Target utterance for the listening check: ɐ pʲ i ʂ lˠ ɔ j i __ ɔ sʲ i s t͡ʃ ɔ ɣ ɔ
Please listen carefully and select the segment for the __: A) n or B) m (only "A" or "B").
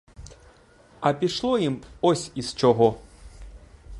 B